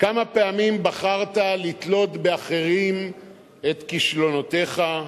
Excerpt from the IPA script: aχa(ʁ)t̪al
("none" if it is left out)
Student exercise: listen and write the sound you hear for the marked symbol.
ʁ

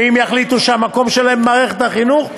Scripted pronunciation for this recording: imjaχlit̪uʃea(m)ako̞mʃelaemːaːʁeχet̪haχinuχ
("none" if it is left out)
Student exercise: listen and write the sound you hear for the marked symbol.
m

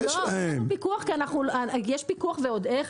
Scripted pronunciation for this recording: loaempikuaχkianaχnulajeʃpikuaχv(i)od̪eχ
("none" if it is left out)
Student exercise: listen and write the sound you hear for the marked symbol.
e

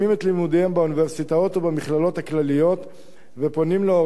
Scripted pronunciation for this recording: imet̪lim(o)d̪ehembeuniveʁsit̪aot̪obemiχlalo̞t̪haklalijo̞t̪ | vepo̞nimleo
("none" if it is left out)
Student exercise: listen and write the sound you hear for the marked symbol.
u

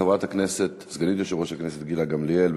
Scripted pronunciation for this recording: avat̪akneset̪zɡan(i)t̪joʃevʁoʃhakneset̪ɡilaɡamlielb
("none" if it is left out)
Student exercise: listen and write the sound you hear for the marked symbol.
i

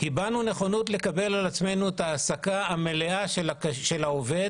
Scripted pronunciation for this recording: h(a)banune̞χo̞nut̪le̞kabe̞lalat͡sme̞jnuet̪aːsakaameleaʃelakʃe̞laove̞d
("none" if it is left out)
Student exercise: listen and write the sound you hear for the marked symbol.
i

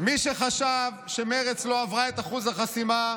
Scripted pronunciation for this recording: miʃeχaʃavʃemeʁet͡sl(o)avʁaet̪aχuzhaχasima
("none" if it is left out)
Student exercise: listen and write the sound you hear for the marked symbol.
o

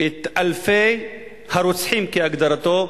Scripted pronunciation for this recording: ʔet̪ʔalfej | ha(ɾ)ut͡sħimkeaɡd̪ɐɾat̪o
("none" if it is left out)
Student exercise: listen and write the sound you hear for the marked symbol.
ɾ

